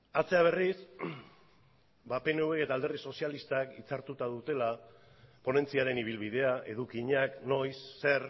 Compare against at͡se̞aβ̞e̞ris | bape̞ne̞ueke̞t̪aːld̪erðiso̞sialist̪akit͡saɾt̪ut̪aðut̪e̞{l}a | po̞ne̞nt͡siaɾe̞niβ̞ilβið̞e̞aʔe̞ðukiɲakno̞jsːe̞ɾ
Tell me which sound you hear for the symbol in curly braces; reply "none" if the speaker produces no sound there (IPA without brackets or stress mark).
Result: l